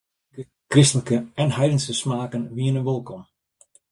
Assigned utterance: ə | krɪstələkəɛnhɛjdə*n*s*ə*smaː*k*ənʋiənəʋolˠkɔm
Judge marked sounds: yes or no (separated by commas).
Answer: yes, yes, yes